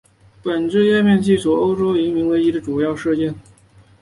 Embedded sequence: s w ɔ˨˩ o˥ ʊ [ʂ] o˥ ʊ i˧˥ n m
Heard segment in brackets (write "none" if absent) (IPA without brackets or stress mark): ʈ͡ʂ